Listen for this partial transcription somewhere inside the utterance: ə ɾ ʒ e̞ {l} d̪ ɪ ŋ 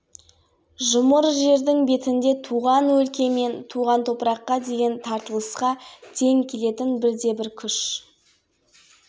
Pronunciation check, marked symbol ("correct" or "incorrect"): incorrect